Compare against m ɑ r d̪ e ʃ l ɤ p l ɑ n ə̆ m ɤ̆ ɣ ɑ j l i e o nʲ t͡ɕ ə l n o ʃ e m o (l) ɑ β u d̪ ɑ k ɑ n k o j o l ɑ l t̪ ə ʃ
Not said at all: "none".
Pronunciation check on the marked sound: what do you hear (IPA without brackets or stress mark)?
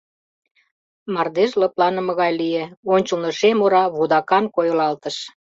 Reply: ɾ